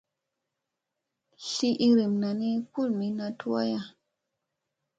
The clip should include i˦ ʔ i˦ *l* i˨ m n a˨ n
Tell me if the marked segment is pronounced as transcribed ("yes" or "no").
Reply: no